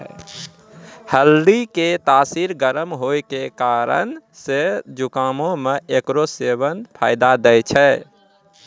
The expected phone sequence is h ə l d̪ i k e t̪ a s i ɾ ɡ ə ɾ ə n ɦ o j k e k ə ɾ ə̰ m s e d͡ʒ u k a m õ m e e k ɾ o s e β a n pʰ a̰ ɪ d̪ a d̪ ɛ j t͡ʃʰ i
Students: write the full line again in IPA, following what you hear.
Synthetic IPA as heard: h ə l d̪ i k e t̪ a s i ɾ ɡ ə ɾ ə m ɦ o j k e k a ɾ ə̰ n s e d͡ʒ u k a m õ m e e k ɾ o s e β ə n pʰ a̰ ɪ d̪ a d̪ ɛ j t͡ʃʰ ɛ